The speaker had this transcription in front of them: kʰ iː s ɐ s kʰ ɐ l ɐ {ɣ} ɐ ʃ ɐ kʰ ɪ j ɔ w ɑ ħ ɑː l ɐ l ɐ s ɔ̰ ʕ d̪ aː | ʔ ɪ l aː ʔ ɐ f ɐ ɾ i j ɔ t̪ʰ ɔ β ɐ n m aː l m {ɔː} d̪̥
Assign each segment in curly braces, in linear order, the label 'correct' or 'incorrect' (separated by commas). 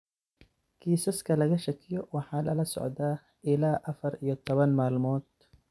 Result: correct, correct